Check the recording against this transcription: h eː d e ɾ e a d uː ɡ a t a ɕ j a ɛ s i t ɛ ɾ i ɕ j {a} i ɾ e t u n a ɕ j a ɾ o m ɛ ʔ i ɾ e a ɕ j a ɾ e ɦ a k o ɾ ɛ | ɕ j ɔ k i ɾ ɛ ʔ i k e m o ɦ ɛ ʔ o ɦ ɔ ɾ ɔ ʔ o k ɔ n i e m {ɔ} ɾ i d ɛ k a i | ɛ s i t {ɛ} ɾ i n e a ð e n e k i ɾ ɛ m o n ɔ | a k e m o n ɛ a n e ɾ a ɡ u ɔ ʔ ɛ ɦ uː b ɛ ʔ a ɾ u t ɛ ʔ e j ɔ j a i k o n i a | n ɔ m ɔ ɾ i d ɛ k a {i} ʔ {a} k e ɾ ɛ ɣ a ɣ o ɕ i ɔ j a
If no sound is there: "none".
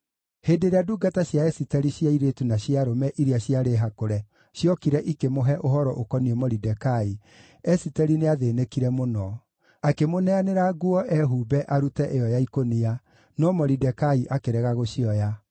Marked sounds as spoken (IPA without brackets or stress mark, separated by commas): a, ɔ, ɛ, i, a